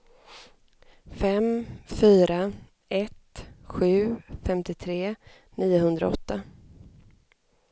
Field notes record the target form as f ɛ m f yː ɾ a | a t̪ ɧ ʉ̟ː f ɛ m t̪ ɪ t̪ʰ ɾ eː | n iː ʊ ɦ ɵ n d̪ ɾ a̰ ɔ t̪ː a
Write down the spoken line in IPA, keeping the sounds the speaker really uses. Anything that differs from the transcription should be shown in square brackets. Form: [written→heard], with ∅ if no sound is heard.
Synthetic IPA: f ɛ m f yː ɾ a | [a→ɛ] t̪ ɧ ʉ̟ː f ɛ m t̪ ɪ t̪ʰ ɾ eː | n iː ʊ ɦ ɵ n d̪ ɾ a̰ ɔ t̪ː a